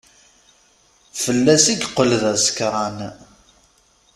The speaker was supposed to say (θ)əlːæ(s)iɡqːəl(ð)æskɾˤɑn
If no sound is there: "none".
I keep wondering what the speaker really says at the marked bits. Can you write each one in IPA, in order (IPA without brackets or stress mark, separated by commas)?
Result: f, s, ð